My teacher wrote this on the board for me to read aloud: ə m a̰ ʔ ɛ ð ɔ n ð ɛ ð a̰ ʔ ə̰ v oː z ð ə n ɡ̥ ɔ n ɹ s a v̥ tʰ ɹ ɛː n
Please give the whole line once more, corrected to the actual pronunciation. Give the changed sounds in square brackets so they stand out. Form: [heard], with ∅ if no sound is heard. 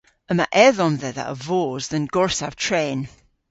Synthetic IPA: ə m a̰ ʔ ɛ ð ɔ n ð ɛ ð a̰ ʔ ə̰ v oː z ð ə n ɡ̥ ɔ [∅] ɹ s a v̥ tʰ ɹ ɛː n